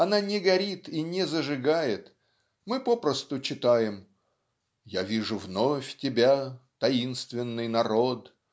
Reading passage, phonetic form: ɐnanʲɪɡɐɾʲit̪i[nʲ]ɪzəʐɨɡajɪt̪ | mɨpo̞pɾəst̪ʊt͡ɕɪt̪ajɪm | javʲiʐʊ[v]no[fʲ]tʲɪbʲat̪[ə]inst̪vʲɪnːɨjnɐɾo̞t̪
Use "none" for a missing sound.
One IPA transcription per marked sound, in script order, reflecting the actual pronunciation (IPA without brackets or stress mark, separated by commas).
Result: nʲ, v, fʲ, ɐ